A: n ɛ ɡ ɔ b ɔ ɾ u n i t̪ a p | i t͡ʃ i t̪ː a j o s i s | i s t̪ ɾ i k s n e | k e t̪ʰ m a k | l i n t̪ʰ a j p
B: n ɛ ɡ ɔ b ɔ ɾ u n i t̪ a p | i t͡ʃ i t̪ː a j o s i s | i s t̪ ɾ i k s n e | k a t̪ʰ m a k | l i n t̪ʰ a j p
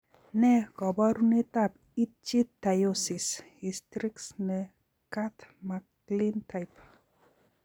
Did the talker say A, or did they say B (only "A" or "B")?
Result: B